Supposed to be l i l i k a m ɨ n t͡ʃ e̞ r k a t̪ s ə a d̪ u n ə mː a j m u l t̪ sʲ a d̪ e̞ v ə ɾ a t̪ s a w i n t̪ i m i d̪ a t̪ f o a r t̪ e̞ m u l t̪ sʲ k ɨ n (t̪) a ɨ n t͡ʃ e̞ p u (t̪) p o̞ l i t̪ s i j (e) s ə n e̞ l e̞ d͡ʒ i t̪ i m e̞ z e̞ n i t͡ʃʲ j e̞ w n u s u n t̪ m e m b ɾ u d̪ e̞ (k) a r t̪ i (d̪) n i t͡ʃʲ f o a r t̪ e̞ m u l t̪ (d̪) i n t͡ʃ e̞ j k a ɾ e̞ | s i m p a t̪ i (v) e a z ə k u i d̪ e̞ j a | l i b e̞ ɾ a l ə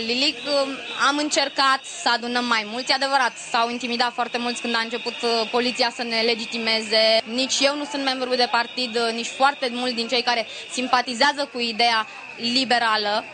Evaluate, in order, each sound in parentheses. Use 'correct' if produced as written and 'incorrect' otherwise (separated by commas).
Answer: incorrect, correct, incorrect, incorrect, correct, correct, incorrect